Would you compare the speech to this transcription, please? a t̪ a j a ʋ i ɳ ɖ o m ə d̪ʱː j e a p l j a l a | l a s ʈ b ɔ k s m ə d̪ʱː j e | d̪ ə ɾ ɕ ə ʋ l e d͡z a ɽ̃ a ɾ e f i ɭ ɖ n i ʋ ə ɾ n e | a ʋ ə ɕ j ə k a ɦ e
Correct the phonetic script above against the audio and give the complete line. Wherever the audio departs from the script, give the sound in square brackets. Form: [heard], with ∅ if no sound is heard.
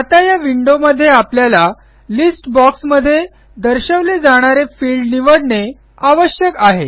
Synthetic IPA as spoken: a t̪ a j a ʋ i ɳ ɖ o m ə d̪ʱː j e a p l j a l a | l [i] s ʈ b ɔ k s m ə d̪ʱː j e | d̪ ə ɾ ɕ ə ʋ l e d͡z a ɽ̃ a ɾ e f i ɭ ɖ n i ʋ ə [ɽ] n e | a ʋ ə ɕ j ə k a ɦ e